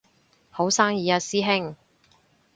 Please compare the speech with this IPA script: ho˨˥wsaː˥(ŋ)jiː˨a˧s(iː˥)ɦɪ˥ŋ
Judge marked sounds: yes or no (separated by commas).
yes, yes